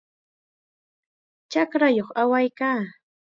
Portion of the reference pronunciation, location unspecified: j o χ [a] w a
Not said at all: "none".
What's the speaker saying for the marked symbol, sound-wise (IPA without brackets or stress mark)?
a